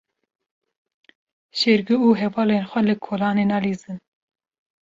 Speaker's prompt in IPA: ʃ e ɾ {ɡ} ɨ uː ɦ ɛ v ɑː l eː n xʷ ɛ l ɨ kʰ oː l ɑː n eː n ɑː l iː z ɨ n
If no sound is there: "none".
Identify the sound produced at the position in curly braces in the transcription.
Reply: ɡ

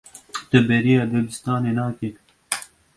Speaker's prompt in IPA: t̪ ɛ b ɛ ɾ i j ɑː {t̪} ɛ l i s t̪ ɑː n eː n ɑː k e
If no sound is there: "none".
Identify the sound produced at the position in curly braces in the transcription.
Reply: d̪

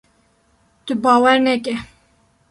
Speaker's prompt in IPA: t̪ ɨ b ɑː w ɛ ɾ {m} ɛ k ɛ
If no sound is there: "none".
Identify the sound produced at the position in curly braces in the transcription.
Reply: n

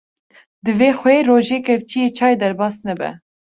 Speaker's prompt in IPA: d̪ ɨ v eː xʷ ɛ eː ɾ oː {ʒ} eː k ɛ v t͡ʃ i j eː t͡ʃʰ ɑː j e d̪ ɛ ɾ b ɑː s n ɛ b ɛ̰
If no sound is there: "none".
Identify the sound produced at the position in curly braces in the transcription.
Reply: ʒ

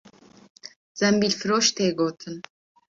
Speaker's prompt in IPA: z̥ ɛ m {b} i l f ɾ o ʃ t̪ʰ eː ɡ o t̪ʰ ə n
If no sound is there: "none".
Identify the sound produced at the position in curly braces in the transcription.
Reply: b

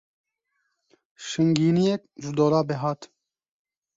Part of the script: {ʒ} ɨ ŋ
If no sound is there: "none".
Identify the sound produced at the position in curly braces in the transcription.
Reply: ʃ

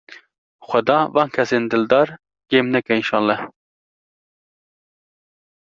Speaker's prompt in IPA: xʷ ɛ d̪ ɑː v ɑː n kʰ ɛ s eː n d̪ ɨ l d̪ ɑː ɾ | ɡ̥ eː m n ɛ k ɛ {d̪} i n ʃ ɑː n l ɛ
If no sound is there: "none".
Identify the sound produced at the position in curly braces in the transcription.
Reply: none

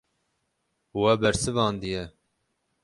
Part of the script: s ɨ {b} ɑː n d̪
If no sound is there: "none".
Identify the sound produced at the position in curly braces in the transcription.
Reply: v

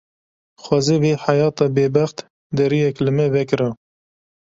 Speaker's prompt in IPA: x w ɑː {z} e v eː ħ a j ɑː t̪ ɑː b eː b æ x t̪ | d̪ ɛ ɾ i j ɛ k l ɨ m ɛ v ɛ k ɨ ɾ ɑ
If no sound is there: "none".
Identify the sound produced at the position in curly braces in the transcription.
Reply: z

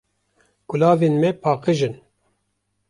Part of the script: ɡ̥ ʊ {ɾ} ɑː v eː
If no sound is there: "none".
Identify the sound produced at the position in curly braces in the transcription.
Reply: l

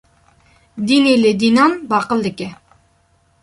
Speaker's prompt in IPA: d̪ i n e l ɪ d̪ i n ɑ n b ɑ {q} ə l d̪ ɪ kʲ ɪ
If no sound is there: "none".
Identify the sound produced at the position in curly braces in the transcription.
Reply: q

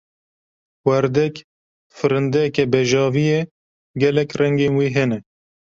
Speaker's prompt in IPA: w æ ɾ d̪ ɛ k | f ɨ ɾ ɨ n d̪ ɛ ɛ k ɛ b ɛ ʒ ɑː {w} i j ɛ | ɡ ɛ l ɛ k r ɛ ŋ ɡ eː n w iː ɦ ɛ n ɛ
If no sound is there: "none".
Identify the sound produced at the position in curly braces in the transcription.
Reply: v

